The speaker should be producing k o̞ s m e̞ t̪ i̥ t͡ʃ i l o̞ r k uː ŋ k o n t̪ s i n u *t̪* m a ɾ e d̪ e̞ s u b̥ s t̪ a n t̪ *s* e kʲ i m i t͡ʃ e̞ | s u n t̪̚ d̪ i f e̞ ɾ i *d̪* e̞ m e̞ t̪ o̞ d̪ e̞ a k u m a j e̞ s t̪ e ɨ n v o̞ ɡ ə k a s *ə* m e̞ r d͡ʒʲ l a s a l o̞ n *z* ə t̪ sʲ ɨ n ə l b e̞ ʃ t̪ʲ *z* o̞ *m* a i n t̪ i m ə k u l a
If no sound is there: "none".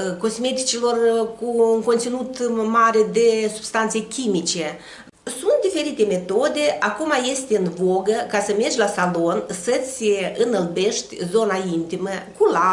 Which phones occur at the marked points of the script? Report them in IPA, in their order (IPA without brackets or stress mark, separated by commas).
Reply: t̪, s, t̪, ə, s, z, n